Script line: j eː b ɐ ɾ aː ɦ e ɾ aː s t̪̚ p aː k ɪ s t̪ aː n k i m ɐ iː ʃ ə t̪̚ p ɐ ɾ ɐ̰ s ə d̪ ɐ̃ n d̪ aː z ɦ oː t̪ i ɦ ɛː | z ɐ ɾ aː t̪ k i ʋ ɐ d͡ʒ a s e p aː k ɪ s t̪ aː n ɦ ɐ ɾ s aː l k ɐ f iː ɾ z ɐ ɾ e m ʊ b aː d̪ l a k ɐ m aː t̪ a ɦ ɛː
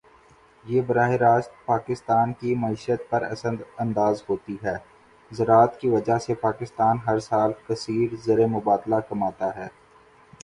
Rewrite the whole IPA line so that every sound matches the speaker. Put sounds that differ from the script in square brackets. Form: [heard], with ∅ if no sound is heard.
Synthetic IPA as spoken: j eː b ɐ ɾ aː ɦ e ɾ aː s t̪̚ p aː k ɪ s t̪ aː n k i m ɐ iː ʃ ə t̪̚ p ɐ ɾ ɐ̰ s ə d̪ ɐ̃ n d̪ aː z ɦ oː t̪ i ɦ ɛː | z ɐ ɾ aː t̪ k i ʋ ɐ d͡ʒ a s e p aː k ɪ s t̪ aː n ɦ ɐ ɾ s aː l k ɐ [s] iː ɾ z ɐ ɾ e m ʊ b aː d̪ l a k ɐ m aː t̪ a ɦ ɛː